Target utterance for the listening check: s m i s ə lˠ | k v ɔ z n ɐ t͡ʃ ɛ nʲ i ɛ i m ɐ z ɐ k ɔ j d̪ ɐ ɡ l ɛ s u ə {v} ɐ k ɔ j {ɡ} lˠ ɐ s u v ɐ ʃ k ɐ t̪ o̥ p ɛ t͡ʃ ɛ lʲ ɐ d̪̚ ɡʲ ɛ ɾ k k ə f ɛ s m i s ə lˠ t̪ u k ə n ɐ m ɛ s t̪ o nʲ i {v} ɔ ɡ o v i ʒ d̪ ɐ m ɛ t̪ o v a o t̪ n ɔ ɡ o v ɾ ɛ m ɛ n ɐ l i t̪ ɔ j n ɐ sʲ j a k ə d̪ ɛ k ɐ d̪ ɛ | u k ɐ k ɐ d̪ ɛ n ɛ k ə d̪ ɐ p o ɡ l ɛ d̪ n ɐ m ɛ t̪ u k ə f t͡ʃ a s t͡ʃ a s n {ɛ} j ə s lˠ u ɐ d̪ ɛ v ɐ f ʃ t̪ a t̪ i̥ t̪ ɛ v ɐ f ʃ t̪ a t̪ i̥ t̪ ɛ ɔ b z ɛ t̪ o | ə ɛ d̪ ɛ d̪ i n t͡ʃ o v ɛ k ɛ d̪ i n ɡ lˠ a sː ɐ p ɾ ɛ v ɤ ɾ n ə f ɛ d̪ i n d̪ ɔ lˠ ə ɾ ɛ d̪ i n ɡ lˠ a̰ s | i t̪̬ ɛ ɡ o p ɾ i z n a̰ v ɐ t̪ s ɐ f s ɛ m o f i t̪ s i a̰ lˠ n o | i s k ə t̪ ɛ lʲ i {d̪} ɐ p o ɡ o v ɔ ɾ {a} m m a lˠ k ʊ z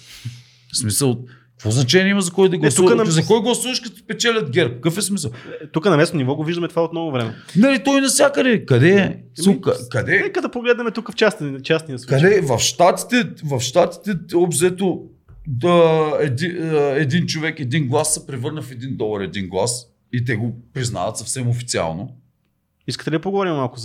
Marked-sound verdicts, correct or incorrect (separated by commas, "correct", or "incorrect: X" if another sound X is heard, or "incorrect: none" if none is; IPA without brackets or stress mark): incorrect: z, correct, correct, incorrect: i, correct, incorrect: i